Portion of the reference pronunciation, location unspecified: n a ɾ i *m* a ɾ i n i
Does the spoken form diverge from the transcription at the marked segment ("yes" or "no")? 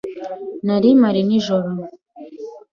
no